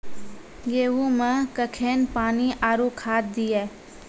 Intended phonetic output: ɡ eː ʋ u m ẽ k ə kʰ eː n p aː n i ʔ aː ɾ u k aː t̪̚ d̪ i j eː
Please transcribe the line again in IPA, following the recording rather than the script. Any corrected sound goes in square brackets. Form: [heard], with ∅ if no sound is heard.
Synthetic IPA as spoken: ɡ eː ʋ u m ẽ k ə kʰ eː n p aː n i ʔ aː ɾ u [kʰ] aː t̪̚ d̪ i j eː